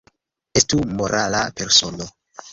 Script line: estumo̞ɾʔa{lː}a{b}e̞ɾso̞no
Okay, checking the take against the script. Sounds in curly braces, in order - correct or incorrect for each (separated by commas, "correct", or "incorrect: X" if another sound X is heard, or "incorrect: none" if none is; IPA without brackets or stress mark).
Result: incorrect: l, incorrect: p